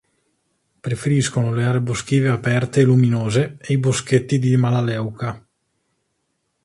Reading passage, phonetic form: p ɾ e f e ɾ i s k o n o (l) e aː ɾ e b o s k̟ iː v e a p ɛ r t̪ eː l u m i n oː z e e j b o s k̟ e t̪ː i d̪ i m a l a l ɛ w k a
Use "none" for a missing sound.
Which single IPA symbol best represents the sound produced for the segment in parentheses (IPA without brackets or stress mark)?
l